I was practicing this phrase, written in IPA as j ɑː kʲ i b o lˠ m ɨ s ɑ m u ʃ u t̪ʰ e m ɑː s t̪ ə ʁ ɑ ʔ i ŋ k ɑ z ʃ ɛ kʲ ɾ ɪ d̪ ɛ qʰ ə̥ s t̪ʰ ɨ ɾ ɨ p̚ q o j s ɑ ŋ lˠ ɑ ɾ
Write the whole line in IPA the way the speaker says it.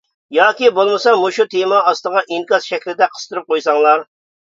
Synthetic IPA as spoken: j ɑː kʲ i b o lˠ m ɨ s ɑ m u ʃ u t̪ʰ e m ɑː s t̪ ə ʁ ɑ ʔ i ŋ k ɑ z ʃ ɛ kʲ l ɪ d̪ ɛ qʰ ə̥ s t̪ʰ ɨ ɾ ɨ p̚ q o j s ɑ ŋ lˠ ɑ ɾ

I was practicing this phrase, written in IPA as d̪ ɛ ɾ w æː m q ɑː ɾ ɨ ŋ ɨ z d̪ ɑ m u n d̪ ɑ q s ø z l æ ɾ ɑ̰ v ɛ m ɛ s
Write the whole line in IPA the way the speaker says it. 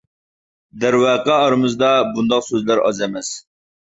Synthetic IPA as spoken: d̪ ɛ ɾ w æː q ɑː ɾ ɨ m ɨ z d̪ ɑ b u n d̪ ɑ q s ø z l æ ɾ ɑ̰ z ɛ m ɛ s

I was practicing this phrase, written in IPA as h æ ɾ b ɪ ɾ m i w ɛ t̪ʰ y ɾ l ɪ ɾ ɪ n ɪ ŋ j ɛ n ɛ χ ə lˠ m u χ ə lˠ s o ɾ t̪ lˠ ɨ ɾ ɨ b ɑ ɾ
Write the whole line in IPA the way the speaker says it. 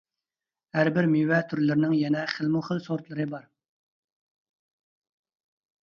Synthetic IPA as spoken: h æ ɾ b ɪ ɾ m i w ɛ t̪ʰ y ɾ l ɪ ɾ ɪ n ɪ ŋ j ɛ n ɛ χ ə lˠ m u χ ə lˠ s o ɾ t̪ lˠ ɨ ɾ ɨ b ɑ ɾ

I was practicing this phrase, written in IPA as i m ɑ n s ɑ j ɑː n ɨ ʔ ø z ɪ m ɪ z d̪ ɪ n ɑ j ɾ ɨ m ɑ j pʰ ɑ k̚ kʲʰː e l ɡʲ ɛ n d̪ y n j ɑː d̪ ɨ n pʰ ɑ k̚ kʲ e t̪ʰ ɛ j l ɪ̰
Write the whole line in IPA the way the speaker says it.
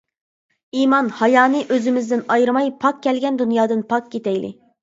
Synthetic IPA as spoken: i m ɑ n h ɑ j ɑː n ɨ ʔ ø z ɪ m ɪ z d̪ ɪ n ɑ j ɾ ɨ m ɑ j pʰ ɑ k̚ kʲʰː ɛ l ɡʲ ɛ n d̪ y n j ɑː d̪ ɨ n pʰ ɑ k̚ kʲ e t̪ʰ ɛ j l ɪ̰

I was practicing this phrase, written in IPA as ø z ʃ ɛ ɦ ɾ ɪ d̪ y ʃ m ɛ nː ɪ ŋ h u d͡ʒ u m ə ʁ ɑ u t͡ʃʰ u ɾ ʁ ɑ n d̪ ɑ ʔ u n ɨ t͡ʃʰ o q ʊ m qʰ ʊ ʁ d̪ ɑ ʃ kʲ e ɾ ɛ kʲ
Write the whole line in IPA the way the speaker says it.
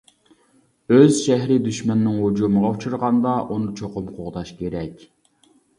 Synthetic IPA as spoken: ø z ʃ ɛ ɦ ɾ ɪ d̪ y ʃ m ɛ nː ɪ ŋ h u d͡ʒ u m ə ʁ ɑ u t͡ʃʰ u ɾ ʁ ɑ n d̪ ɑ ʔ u n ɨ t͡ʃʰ o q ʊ m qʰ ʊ ʁ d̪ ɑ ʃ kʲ e ɾ ɛ kʲ

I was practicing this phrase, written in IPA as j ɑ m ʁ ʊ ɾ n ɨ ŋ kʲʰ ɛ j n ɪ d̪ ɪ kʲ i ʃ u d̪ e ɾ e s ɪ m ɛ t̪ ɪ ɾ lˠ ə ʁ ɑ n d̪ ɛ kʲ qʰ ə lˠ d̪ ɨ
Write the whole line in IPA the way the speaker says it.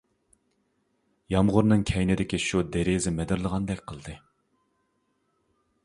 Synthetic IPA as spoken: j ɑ m ʁ ʊ ɾ n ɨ ŋ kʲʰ ɛ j n ɪ d̪ ɪ kʲ i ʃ u d̪ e ɾ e z ɪ m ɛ d̪ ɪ ɾ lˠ ə ʁ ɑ n d̪ ɛ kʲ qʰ ə lˠ d̪ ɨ

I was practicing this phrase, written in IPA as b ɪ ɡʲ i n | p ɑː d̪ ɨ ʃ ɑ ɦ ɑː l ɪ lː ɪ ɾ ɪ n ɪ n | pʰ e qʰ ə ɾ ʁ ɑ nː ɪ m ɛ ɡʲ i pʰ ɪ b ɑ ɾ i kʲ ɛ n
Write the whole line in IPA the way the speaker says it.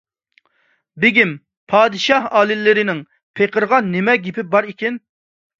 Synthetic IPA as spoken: b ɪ ɡʲ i m | pʰ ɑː d̪ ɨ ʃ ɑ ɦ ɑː l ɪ lː ɪ ɾ ɪ n ɪ ŋ | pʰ e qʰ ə ɾ ʁ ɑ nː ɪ m ɛ ɡʲ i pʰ ɪ b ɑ ɾ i kʲ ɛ n

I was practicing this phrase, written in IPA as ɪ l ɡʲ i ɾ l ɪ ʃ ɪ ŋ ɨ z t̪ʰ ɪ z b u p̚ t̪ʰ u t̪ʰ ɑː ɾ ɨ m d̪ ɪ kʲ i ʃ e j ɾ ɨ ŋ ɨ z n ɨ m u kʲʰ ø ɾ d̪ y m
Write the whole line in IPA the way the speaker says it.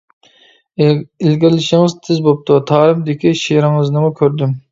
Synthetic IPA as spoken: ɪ l ɡʲ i ɾ l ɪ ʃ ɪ ŋ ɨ z t̪ʰ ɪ z b o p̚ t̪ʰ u t̪ʰ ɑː ɾ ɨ m d̪ ɪ kʲ i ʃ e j ɾ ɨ ŋ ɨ z n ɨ m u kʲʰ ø ɾ d̪ y m

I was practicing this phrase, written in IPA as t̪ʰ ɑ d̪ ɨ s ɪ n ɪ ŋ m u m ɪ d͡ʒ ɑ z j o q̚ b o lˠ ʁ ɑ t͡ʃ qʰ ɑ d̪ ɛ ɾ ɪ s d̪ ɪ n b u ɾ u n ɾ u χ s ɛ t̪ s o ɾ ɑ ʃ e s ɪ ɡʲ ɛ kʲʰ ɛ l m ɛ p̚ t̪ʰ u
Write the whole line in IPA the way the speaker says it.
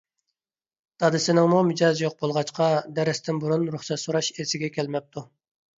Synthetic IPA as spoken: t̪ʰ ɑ d̪ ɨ s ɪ n ɪ ŋ m u m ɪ d͡ʒ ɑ z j o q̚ b o lˠ ʁ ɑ t͡ʃ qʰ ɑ d̪ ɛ ɾ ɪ s t̪ ɪ n b u ɾ u n ɾ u χ s ɛ t̪ s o ɾ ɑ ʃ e s ɪ ɡʲ ɛ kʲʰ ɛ l m ɛ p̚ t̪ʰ u

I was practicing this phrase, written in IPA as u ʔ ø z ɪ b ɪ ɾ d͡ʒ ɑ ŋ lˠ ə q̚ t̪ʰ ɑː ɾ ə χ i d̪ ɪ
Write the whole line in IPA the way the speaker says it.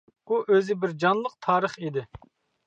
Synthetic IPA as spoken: u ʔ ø z ɪ b ɪ ɾ d͡ʒ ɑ n lˠ ə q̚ t̪ʰ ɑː ɾ ə χ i d̪ ɪ

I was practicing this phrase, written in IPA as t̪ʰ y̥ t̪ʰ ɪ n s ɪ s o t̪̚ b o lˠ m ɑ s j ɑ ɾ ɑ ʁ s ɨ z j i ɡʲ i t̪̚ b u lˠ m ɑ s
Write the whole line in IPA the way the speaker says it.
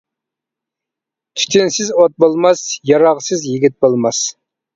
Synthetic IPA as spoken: t̪ʰ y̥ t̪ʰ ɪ n s ɪ z o t̪̚ b o lˠ m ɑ s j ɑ ɾ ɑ ʁ s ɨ z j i ɡʲ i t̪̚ b o lˠ m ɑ s

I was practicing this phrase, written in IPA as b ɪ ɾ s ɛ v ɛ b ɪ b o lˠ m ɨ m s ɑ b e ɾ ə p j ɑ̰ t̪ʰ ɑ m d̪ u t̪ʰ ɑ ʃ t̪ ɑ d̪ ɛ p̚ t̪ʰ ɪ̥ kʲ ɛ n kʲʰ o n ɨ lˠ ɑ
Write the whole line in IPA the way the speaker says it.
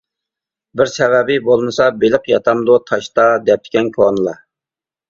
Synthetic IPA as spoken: b ɪ ɾ s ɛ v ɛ b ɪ b o lˠ m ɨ s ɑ b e l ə q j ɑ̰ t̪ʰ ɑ m d̪ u t̪ʰ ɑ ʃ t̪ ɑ d̪ ɛ p̚ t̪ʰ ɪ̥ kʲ ɛ n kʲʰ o n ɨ lˠ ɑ

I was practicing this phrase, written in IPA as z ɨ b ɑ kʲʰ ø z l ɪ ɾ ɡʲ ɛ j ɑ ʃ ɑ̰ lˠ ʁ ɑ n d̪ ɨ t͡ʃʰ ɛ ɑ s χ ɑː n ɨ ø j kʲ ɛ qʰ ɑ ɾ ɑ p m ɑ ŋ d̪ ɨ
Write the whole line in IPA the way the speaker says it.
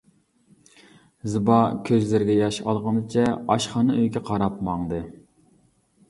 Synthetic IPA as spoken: z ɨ b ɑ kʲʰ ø z l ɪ ɾ ɡʲ ɛ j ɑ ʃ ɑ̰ lˠ ʁ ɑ n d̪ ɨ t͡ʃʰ ɛ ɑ ʃ χ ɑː n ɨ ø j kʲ ɛ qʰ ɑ ɾ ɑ p m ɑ ŋ d̪ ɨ

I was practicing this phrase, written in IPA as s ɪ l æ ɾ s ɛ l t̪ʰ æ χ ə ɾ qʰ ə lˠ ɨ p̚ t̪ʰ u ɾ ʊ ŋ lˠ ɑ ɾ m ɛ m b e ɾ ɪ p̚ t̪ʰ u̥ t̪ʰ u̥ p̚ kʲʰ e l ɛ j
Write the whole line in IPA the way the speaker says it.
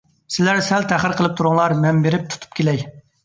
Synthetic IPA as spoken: s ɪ l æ ɾ s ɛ l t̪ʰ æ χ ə ɾ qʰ ə lˠ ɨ p̚ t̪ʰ u ɾ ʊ ŋ lˠ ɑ ɾ m ɛ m b e ɾ ɪ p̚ t̪ʰ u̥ t̪ʰ u̥ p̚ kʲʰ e l ɛ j

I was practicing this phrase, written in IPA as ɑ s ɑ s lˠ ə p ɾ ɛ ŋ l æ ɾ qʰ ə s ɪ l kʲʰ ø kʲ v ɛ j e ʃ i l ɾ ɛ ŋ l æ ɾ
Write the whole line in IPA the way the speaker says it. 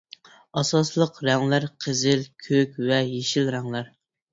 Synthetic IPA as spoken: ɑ s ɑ s lˠ ə q ɾ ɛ ŋ l æ ɾ qʰ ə z ɪ l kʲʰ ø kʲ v ɛ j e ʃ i l ɾ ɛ ŋ l æ ɾ

